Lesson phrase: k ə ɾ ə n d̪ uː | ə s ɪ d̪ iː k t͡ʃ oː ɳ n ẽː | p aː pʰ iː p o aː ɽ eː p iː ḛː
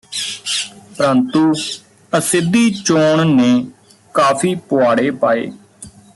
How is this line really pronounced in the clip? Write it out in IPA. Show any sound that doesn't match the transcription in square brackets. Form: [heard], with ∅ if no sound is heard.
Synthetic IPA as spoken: [p] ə ɾ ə n [t̪] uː | ə s ɪ d̪ iː [∅] t͡ʃ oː ɳ n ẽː | [k] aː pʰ iː p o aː ɽ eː p [aː] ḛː